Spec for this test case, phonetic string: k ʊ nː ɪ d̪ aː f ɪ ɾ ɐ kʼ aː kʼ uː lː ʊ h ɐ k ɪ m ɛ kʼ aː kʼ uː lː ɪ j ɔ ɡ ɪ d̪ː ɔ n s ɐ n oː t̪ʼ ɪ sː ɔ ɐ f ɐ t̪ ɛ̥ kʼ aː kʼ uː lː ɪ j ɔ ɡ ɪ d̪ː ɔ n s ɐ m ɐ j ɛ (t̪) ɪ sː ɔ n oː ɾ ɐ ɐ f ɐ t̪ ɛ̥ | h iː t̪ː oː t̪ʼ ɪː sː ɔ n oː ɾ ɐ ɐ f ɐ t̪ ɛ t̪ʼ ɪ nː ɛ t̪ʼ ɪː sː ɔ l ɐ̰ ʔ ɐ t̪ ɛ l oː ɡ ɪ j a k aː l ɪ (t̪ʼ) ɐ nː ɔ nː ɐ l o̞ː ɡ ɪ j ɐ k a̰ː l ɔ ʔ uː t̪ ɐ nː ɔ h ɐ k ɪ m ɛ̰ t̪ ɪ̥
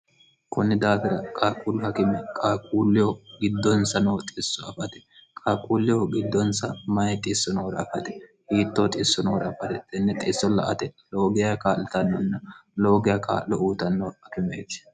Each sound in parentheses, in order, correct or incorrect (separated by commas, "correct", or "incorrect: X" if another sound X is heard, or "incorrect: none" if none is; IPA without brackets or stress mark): incorrect: t̪ʼ, incorrect: t̪